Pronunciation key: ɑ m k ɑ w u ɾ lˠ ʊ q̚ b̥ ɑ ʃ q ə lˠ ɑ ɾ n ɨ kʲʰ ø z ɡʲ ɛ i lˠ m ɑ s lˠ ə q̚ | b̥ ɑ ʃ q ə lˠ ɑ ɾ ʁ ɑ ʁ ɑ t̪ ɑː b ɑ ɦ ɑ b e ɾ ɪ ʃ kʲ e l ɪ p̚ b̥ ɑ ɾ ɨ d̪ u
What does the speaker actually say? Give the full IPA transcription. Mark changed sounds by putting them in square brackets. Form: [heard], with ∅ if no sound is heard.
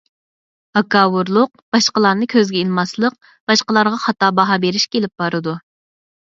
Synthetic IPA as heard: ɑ [∅] k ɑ w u ɾ lˠ ʊ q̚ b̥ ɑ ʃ q ə lˠ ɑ ɾ n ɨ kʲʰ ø z ɡʲ ɛ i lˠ m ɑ s lˠ ə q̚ | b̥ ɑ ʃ q ə lˠ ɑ ɾ ʁ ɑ [χ] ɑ t̪ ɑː b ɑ ɦ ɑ b e ɾ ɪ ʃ kʲ e l ɪ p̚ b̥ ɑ ɾ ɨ d̪ u